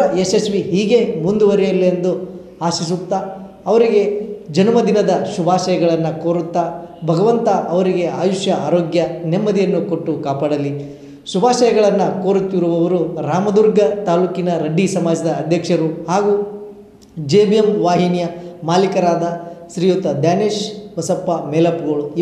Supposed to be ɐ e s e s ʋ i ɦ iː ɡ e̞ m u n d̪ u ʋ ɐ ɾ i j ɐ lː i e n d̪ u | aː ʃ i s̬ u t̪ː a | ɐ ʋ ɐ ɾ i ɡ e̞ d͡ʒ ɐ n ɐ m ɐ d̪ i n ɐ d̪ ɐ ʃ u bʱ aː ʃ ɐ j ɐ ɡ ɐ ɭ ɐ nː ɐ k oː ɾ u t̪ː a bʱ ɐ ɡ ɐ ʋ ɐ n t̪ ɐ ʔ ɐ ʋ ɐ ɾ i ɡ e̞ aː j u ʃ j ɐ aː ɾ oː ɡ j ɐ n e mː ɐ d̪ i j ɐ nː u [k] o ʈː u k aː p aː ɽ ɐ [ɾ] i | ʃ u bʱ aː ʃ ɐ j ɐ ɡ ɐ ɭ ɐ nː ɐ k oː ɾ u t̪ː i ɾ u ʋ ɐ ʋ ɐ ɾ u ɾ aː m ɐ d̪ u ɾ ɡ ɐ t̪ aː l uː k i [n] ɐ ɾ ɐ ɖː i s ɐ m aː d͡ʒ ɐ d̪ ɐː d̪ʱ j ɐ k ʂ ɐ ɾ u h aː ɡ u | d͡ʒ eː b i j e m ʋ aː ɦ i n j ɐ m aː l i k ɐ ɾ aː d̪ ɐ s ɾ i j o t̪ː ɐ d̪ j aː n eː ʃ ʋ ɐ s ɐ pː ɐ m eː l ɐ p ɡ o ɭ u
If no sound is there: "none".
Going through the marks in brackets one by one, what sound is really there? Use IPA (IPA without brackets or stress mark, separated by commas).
k, l, n